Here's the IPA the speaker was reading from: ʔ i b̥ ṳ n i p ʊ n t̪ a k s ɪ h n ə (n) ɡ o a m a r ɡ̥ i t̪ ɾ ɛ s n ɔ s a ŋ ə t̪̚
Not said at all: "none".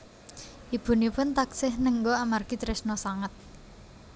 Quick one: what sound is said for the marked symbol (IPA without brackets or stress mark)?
ŋ